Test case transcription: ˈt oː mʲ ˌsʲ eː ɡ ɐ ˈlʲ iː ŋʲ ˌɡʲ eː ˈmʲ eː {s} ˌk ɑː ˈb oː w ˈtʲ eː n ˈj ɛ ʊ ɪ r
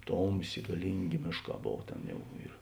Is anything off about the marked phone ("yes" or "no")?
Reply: yes